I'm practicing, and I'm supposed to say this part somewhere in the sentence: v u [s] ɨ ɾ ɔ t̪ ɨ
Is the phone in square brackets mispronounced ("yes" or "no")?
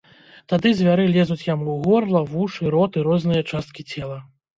yes